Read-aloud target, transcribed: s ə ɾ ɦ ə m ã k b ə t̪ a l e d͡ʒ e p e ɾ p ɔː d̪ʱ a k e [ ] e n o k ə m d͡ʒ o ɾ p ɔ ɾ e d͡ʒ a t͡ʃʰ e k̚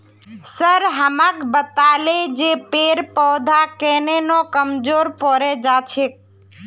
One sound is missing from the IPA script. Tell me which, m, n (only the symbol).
n